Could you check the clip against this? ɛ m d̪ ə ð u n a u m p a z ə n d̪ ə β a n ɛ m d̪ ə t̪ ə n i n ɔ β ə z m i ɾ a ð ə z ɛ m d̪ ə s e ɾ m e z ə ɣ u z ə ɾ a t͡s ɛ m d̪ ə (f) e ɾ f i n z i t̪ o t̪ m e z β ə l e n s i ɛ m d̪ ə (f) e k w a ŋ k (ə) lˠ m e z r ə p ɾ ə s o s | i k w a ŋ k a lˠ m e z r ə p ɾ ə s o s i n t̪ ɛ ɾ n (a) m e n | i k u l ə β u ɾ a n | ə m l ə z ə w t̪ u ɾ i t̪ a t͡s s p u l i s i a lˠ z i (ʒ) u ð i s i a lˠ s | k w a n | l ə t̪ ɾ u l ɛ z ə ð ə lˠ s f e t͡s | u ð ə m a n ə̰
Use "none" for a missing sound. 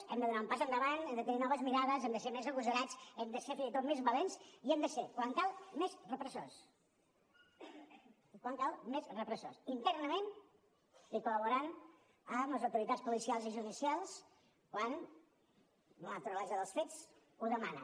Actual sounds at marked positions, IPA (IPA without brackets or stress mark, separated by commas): s, s, a, ə, ʒ